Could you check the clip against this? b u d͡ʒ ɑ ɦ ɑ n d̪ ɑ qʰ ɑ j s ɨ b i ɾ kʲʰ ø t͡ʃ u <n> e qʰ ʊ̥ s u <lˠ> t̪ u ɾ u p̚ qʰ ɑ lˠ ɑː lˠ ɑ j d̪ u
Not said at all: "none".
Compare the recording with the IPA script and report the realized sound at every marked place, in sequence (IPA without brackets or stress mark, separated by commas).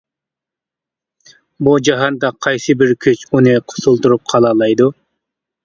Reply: n, lˠ